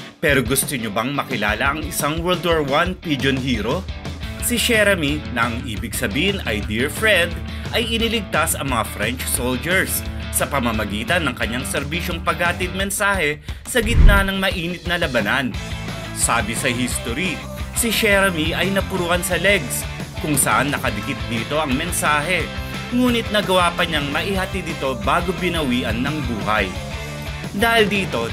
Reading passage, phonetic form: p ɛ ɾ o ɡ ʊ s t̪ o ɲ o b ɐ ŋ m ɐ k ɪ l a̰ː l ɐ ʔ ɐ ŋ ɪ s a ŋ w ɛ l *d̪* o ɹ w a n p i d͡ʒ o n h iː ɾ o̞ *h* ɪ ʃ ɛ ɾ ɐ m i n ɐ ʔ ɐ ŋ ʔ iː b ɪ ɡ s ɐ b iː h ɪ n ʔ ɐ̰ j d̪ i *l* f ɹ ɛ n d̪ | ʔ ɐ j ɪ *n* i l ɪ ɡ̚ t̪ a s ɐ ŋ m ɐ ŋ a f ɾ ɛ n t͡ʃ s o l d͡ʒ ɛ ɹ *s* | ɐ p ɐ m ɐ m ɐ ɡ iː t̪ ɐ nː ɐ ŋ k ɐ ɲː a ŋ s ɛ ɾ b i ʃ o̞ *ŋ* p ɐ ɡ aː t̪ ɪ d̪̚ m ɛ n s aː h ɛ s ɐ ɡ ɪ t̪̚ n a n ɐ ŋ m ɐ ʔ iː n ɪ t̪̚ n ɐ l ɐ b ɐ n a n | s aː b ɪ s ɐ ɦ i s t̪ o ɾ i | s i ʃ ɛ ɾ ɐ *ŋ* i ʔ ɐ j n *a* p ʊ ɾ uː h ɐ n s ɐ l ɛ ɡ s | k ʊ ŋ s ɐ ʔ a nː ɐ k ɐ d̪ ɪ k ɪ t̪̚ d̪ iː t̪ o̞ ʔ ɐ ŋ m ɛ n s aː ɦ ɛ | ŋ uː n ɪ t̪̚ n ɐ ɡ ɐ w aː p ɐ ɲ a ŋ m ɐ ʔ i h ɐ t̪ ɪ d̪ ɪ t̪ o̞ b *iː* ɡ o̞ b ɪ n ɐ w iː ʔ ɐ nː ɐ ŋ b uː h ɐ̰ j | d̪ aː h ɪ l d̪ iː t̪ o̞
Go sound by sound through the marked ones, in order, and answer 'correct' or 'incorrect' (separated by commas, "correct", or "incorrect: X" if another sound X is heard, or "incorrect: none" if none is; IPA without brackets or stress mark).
correct, incorrect: s, incorrect: ɹ, correct, incorrect: sː, correct, incorrect: m, incorrect: ɐ, incorrect: aː